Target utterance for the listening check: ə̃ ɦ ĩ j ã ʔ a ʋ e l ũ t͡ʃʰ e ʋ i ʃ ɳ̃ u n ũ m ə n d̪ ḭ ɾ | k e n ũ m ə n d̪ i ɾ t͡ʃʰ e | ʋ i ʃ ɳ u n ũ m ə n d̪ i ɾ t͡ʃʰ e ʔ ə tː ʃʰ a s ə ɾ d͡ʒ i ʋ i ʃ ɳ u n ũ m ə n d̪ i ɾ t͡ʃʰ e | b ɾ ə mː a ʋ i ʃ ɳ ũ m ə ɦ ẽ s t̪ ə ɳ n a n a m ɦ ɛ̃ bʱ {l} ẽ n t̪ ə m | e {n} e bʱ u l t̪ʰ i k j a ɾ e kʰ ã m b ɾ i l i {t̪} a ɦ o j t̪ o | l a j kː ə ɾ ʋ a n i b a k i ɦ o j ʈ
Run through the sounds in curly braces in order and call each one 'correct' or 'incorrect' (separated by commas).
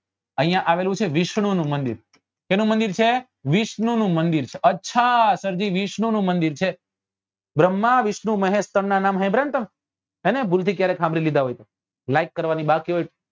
incorrect, correct, incorrect